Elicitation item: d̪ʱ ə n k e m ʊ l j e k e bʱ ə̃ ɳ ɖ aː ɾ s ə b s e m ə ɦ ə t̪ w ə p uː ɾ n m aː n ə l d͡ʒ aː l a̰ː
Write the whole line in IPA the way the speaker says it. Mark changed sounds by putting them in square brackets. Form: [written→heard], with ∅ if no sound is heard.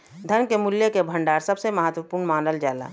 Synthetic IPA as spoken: d̪ʱ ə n k e m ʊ l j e k e bʱ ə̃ ɳ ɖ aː ɾ s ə b s e m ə ɦ ə t̪ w ə p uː ɾ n m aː n ə l d͡ʒ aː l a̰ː